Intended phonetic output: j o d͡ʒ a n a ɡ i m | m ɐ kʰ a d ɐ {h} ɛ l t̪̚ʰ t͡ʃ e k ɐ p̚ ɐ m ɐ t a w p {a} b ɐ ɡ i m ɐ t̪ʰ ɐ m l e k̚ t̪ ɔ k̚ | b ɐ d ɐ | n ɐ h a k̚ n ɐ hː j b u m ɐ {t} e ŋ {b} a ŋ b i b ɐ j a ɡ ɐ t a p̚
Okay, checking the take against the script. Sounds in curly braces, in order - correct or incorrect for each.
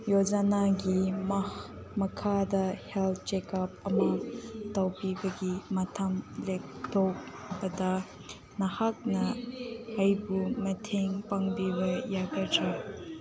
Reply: correct, incorrect: i, incorrect: tʰ, incorrect: p

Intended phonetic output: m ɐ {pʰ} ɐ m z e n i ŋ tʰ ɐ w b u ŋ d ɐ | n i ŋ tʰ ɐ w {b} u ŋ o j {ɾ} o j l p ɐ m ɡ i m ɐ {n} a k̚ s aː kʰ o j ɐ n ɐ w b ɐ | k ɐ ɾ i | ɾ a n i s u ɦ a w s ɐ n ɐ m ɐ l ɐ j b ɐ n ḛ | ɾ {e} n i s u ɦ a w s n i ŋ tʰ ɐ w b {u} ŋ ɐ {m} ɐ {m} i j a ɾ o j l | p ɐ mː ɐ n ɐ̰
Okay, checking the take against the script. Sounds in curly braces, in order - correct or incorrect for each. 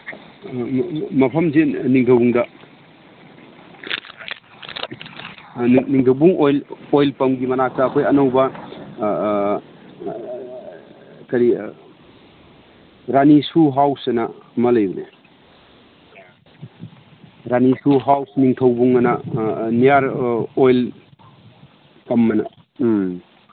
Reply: correct, correct, incorrect: l, correct, incorrect: a, correct, incorrect: n, incorrect: n

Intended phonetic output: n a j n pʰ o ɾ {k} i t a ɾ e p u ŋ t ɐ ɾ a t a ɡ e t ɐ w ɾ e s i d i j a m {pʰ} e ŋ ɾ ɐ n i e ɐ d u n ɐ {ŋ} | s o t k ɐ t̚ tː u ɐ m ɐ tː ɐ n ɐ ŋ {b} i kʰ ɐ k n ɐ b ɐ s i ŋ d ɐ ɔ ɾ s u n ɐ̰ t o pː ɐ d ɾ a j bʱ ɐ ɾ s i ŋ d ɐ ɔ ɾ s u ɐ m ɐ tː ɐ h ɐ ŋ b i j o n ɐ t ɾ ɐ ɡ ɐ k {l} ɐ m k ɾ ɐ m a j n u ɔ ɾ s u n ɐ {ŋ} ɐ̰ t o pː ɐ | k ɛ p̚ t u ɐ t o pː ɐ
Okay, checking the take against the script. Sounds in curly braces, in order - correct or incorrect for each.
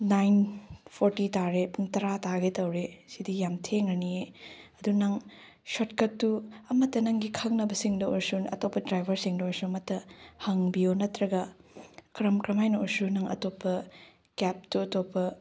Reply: incorrect: t, incorrect: tʰ, correct, incorrect: ɡ, incorrect: ɾ, correct

